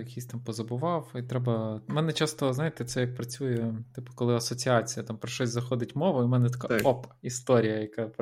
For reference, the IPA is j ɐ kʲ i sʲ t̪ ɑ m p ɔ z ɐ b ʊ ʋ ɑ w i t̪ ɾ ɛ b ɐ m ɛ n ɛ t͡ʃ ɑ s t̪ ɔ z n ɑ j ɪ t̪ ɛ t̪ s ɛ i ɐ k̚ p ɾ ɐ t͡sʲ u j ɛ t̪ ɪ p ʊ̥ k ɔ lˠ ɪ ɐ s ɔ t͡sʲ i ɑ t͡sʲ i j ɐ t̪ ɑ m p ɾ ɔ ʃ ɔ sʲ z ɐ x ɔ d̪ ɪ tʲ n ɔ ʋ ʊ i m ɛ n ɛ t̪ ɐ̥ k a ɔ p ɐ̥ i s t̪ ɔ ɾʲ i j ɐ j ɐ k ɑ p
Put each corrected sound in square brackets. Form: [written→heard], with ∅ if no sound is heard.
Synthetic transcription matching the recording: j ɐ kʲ i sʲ t̪ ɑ m p ɔ z ɐ b ʊ ʋ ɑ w i t̪ ɾ ɛ b ɐ m ɛ n ɛ t͡ʃ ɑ s t̪ ɔ z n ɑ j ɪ t̪ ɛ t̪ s ɛ [i→j] ɐ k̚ p ɾ ɐ t͡sʲ u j ɛ t̪ ɪ p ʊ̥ k ɔ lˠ ɪ ɐ s ɔ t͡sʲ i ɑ t͡sʲ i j ɐ t̪ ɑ m p ɾ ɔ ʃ ɔ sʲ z ɐ x ɔ d̪ ɪ tʲ [n→m] ɔ ʋ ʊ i m ɛ n ɛ t̪ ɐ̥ k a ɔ p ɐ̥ i s t̪ ɔ ɾʲ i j ɐ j ɐ k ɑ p